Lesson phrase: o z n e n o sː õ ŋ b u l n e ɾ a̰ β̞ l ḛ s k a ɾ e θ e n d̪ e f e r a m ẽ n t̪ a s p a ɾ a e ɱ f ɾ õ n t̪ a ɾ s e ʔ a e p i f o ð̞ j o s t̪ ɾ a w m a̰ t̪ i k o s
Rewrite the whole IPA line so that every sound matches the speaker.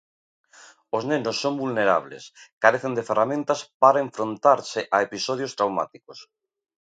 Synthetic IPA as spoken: o z n e n o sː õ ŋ b u l n e ɾ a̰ β̞ l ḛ s k a ɾ e θ e n d̪ e f e r a m ẽ n t̪ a s p a ɾ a e ɱ f ɾ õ n t̪ a ɾ s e ʔ a e p i s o ð̞ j o s t̪ ɾ a w m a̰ t̪ i k o s

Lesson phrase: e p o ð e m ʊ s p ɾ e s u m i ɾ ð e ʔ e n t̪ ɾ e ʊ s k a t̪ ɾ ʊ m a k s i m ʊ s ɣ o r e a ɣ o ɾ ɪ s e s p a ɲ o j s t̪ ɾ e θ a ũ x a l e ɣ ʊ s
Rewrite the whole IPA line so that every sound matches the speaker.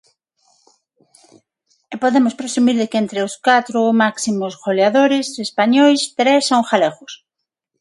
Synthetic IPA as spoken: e p o ð e m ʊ s p ɾ e s u m i ɾ ð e k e n t̪ ɾ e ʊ s k a t̪ ɾ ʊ m a k s i m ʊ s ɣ o l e a ð o ɾ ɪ s e s p a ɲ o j s t̪ ɾ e s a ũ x a l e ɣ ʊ s

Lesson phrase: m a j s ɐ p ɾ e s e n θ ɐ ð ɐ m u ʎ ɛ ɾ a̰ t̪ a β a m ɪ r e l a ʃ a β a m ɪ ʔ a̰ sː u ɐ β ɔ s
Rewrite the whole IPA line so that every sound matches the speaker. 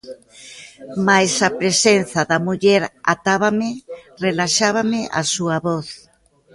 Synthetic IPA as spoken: m a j s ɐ p ɾ e s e n θ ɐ ð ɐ m u ʎ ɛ ɾ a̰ t̪ a β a m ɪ r e l a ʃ a β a m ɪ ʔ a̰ s u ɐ β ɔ θ

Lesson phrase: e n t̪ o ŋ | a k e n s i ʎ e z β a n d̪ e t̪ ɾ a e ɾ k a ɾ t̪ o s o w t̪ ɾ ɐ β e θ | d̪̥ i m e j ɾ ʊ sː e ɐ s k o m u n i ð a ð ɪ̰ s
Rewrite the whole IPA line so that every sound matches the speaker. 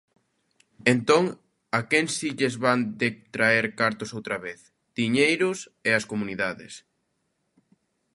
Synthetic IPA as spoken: e n t̪ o ŋ | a k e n s i ʎ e z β a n d̪ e t̪ ɾ a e ɾ k a ɾ t̪ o s o w t̪ ɾ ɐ β e θ | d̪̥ i ɲ e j ɾ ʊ s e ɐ s k o m u n i ð a ð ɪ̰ s

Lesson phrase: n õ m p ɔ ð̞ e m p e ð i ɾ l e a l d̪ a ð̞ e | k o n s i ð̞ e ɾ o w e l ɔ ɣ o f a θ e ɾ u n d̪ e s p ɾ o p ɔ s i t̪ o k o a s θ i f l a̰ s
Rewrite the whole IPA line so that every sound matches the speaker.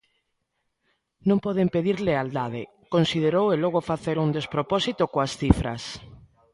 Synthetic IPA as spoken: n õ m p ɔ ð̞ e m p e ð i ɾ l e a l d̪ a ð̞ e | k o n s i ð̞ e ɾ o w e l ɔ ɣ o f a θ e ɾ u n d̪ e s p ɾ o p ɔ s i t̪ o k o a s θ i f ɾ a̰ s

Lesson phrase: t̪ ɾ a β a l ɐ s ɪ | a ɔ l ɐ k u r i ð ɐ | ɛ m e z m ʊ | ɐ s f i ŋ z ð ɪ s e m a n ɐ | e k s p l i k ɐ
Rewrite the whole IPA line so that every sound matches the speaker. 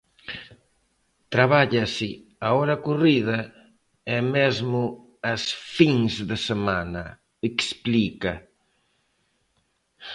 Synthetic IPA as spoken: t̪ ɾ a β a ʎ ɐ s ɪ | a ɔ ɾ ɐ k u r i ð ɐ | ɛ m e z m ʊ | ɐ s f i ŋ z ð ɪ s e m a n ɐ | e k s p l i k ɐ

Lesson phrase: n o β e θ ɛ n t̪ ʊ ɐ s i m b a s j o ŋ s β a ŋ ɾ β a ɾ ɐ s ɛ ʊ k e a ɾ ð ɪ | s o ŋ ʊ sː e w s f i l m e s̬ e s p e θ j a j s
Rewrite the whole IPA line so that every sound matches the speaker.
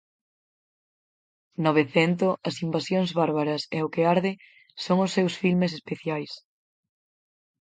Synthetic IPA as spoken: n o β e θ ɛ n t̪ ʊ ɐ s i m b a s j o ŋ z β a ɾ β a ɾ ɐ s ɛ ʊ k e a ɾ ð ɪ | s o ŋ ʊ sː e w s f i l m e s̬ e s p e θ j a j s

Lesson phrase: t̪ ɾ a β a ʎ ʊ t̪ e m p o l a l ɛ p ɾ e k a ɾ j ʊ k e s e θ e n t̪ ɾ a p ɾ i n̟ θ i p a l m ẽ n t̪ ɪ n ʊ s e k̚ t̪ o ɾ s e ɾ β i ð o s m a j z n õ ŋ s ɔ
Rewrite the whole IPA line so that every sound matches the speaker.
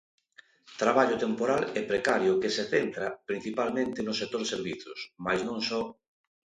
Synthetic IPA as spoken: t̪ ɾ a β a ʎ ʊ t̪ e m p o ɾ a l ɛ p ɾ e k a ɾ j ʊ k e s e θ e n t̪ ɾ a p ɾ i n̟ θ i p a l m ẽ n t̪ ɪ n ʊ s e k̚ t̪ o ɾ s e ɾ β i θ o s m a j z n õ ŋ s ɔ

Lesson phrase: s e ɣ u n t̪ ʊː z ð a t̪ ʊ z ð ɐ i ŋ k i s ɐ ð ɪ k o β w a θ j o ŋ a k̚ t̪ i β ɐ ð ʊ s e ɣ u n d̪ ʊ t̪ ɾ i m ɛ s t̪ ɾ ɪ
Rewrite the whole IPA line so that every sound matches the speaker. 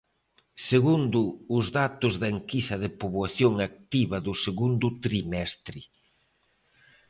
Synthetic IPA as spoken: s e ɣ u n d̪ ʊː z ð a t̪ ʊ z ð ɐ e ŋ k i s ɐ ð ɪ p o β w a θ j o ŋ a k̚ t̪ i β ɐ ð ʊ s e ɣ u n d̪ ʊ t̪ ɾ i m ɛ s t̪ ɾ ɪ

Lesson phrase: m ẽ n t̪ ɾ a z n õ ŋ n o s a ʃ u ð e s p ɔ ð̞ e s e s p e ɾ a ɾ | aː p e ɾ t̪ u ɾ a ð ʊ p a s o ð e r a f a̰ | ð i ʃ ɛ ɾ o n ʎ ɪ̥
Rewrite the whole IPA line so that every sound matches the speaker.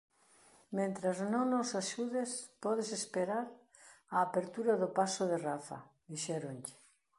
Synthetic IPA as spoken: m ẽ n t̪ ɾ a z n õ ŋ n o s a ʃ u ð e s p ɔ ð̞ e s e s p e ɾ a ɾ | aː p e ɾ t̪ u ɾ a ð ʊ p a s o ð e r a f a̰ | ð i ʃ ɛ ɾ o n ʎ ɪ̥

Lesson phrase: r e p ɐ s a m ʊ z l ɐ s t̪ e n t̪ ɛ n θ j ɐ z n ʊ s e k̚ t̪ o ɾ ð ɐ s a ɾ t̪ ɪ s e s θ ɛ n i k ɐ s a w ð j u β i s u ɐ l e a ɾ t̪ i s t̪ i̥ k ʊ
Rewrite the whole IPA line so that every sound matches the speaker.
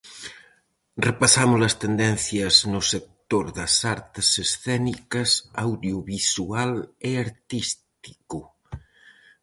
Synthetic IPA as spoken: r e p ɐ s a m ʊ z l ɐ s t̪ e n d̪ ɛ n θ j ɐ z n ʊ s e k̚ t̪ o ɾ ð ɐ s a ɾ t̪ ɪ s e s θ ɛ n i k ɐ s a w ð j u β i s u a l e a ɾ t̪ i s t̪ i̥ k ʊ

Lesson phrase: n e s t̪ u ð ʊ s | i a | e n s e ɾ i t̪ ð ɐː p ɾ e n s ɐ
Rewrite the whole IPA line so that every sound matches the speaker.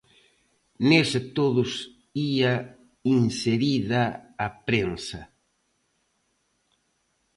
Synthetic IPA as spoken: n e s t̪ o ð ʊ s | i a | i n s e ɾ i ð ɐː p ɾ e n s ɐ

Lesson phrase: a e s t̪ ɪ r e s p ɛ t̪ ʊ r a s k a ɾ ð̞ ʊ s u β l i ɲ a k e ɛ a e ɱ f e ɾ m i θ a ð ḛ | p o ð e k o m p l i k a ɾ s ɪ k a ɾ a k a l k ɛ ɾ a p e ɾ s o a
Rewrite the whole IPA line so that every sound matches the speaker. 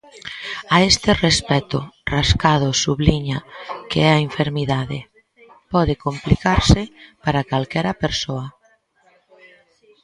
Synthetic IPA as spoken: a e s t̪ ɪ r e s p ɛ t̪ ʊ r a s k a ð̞ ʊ s u β l i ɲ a k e ɛ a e ɱ f e ɾ m i ð a ð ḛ | p ɔ ð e k o m p l i k a ɾ s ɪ p a ɾ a k a l k ɛ ɾ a p e ɾ s o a

